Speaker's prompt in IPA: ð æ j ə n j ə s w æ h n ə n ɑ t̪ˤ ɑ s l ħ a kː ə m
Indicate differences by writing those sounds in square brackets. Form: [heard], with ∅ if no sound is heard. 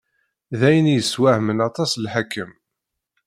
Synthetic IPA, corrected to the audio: ð æ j ə n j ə s w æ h [m] ə n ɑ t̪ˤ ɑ s l ħ a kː ə m